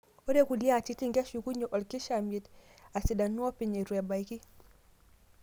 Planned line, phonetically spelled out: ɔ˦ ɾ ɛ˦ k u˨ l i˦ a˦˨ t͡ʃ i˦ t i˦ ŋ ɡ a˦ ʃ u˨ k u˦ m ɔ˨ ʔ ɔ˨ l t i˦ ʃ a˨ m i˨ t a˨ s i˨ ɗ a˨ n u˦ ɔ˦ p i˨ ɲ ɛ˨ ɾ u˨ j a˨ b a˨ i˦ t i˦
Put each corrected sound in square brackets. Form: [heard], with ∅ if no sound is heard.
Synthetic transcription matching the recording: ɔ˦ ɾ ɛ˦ k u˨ l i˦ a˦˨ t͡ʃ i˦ t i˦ ŋ ɡ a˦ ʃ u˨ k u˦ [ɲ] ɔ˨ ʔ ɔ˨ l [k] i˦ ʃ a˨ m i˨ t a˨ s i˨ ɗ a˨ n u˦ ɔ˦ p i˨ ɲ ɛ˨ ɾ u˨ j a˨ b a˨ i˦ [k] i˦